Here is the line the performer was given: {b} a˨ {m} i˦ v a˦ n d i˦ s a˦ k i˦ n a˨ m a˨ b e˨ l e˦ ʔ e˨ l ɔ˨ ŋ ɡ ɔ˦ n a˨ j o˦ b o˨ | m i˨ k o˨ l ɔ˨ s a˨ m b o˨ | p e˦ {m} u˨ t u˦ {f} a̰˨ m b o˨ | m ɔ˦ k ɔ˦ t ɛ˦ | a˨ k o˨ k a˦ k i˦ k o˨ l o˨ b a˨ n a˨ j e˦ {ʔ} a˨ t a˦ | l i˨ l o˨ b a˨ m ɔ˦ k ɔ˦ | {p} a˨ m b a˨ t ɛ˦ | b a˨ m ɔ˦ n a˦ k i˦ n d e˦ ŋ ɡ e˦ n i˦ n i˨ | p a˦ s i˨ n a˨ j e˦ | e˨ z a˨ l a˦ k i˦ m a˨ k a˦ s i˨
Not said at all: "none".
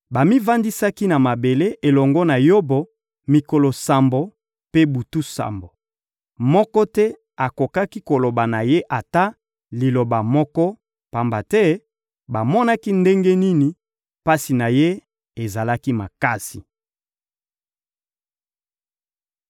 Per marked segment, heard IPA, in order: b, m, b, s, ʔ, p

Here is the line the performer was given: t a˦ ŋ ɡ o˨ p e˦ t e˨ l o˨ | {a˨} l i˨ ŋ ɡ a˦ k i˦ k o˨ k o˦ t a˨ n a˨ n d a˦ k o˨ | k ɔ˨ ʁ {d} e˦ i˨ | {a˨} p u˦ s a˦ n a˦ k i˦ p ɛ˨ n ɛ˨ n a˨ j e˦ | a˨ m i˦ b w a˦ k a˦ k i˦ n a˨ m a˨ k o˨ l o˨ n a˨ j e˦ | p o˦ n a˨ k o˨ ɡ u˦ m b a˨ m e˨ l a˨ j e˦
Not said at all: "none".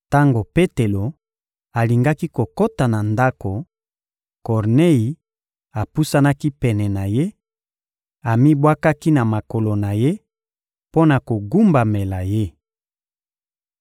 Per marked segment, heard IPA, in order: a˨, n, a˨

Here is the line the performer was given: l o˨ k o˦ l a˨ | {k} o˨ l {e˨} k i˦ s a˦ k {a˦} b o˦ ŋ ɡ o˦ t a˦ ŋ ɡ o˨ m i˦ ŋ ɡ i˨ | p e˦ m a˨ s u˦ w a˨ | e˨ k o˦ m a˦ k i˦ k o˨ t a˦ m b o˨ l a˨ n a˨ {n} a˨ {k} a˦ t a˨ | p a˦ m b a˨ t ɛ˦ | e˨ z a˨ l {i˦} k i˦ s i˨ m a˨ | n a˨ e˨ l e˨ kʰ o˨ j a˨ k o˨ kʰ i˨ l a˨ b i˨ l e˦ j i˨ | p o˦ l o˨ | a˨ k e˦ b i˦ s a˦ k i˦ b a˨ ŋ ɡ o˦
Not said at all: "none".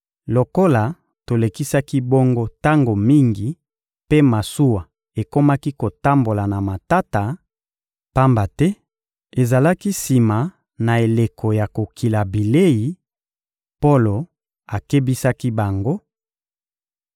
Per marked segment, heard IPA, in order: t, e˨, i˦, m, t, a˦

